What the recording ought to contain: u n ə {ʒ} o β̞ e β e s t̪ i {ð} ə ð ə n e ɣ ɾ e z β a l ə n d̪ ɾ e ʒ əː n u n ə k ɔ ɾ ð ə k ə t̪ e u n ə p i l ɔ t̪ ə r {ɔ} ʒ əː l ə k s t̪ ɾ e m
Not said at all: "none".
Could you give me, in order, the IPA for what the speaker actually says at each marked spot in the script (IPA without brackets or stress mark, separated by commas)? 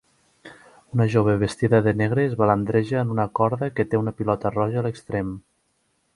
ʒ, ð, ɔ